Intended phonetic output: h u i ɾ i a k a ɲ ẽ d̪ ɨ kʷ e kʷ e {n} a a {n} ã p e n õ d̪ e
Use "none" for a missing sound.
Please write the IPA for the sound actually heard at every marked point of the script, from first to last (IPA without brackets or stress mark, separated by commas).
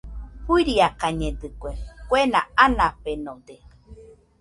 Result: n, n